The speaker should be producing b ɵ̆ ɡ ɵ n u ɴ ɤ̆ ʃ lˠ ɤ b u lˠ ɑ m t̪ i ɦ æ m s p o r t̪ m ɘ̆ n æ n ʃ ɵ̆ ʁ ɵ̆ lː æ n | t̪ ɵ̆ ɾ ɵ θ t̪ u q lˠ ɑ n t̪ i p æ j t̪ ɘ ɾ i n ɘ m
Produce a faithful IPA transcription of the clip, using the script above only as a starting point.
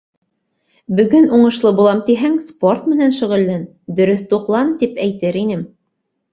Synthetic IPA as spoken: b ɵ̆ ɡ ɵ n u ɴ ɤ̆ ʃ lˠ ɤ b u lˠ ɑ m t̪ i ɦ æ ŋ s p o r t̪ m ɘ̆ n æ n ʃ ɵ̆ ʁ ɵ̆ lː æ n | d̪ ɵ̆ ɾ ɵ θ t̪ u q lˠ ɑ n t̪ i p æ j t̪ ɘ ɾ i n ɘ m